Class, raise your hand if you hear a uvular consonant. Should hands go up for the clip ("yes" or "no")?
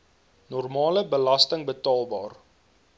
no